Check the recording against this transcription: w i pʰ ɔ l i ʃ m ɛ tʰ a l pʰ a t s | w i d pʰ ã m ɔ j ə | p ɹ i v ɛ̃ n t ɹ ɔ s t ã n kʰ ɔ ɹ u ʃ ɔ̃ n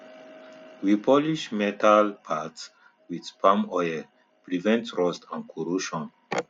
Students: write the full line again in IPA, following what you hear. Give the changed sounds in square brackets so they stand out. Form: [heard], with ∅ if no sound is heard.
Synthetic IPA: w i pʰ ɔ l i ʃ m ɛ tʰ a l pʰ a t s | w i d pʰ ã m ɔ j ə | p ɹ i v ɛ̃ n t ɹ ɔ s t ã n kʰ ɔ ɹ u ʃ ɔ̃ n